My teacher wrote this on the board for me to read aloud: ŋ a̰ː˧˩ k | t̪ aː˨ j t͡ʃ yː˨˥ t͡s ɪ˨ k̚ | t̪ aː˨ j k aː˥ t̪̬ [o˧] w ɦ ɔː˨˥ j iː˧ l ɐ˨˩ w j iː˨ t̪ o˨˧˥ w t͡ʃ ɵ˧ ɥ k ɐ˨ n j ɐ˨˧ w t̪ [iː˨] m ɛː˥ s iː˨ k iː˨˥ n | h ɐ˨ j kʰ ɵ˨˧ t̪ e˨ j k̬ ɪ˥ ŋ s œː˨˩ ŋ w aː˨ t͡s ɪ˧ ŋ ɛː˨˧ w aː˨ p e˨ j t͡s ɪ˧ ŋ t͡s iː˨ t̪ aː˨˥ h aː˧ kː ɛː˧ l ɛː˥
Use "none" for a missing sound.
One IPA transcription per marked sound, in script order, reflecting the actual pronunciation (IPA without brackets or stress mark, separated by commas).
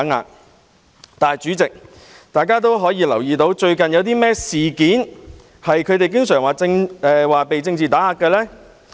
o˥, iː˥